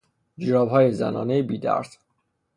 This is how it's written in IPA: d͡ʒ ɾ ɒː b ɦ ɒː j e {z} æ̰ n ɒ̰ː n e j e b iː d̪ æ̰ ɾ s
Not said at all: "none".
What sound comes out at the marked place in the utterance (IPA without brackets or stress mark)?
z